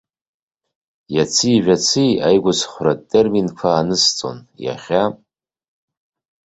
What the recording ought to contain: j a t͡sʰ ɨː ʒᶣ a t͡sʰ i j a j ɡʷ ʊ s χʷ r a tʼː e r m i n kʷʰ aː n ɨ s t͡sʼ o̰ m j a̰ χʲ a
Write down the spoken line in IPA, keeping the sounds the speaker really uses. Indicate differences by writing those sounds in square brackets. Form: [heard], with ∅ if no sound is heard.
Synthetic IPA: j a t͡sʰ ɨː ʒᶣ a t͡sʰ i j a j ɡʷ ʊ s χʷ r a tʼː e r m i n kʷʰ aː n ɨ s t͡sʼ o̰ [n] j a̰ χʲ a